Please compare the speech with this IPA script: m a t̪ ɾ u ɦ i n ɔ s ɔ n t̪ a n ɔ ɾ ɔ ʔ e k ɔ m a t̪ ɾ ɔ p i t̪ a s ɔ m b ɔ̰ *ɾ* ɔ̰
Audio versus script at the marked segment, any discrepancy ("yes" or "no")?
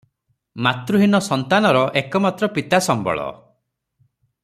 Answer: yes